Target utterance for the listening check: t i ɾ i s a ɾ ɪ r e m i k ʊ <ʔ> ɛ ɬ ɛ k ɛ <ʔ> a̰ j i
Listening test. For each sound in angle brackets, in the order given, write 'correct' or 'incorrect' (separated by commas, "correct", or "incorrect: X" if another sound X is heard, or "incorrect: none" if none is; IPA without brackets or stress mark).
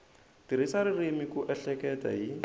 correct, incorrect: t